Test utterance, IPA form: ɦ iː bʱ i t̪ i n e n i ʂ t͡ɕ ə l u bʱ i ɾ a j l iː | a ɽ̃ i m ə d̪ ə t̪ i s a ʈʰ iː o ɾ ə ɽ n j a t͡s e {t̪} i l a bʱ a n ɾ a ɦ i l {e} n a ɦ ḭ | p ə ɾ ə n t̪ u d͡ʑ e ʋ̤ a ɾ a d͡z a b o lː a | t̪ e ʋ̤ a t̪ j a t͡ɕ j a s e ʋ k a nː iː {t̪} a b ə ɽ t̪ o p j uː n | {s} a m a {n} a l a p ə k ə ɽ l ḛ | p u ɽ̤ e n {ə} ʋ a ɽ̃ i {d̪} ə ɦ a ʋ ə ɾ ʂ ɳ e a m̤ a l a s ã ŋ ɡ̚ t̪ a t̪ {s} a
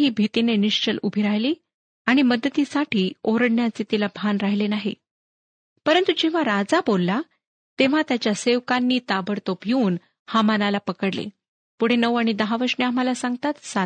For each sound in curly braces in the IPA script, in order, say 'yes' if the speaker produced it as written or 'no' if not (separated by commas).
yes, yes, yes, no, yes, yes, yes, yes